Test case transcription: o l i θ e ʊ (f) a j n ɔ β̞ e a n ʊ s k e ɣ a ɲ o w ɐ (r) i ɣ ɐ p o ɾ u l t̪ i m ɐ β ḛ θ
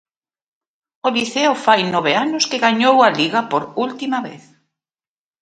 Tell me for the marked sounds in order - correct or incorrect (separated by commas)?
correct, incorrect